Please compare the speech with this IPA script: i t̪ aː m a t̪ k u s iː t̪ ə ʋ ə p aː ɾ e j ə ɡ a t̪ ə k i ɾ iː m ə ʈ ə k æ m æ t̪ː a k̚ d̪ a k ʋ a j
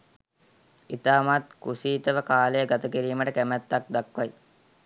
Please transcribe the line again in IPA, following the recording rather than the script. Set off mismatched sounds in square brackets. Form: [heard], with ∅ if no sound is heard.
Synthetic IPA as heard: i t̪ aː m a t̪ k u s iː t̪ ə ʋ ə [k] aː [l] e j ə ɡ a t̪ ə k i ɾ iː m ə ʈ ə k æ m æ t̪ː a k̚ d̪ a k ʋ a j